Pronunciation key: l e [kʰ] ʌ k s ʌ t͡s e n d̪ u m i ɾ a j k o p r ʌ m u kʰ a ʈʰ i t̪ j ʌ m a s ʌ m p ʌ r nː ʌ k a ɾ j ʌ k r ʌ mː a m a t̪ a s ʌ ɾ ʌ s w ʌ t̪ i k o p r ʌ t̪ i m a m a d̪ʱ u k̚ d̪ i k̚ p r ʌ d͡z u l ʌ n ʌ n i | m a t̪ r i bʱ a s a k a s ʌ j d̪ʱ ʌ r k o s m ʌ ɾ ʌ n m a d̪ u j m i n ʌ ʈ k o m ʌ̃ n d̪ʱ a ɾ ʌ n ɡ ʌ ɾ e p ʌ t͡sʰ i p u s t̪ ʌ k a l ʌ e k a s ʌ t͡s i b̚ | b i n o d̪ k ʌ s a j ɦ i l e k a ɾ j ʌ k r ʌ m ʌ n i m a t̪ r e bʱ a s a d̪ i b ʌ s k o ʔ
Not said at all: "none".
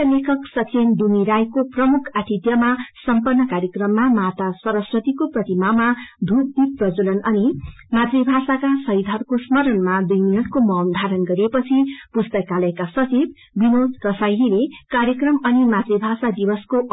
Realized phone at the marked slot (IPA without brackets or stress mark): kʰ